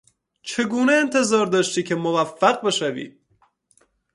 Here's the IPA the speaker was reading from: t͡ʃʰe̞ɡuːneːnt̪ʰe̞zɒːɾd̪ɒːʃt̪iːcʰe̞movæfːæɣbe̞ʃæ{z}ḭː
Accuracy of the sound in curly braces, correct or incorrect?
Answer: incorrect